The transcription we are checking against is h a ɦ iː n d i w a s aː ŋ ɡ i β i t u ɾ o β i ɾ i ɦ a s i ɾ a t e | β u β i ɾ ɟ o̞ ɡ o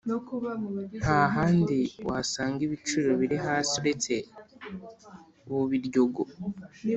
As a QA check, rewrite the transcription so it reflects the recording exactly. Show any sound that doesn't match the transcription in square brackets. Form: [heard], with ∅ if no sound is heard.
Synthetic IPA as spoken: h a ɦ [aː] n d i w a s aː ŋ ɡ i β i [t͡ʃ] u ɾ o β i ɾ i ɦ a s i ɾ [e] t e | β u β i ɾ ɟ o̞ ɡ o